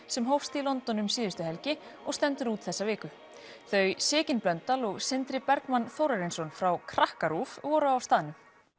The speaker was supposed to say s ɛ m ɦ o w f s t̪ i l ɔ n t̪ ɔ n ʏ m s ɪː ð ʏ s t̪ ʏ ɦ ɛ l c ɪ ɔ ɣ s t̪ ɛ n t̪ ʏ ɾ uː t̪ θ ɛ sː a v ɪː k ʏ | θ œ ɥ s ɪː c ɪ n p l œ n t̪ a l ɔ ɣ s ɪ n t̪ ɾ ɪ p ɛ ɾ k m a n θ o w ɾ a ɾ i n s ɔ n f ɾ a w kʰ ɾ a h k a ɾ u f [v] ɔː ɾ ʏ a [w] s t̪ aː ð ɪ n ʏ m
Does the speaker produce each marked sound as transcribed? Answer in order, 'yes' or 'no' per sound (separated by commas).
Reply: yes, yes